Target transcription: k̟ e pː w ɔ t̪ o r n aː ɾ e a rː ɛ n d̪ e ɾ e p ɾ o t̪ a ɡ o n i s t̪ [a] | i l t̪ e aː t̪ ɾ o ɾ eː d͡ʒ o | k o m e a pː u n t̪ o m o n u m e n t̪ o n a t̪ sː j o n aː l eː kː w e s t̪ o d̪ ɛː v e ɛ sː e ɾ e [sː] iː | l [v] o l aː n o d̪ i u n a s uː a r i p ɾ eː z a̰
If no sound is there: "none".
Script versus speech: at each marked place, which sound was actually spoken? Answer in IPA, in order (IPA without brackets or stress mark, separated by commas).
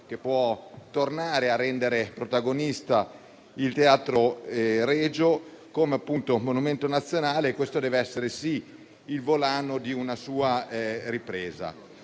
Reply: a, s, v